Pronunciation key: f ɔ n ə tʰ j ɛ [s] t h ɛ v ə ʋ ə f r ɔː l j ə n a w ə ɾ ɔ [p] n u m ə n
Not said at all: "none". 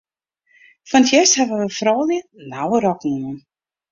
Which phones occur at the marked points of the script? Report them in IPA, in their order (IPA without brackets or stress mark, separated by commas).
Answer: s, k